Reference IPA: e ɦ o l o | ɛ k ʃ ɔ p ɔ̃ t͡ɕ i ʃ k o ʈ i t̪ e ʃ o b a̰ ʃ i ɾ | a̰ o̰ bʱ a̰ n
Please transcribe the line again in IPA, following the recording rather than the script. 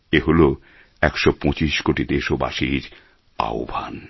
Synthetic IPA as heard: e ɦ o l o | ɛ k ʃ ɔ p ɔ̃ t͡ɕ i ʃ k o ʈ i d̪ e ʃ o b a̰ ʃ i ɾ | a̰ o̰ bʱ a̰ n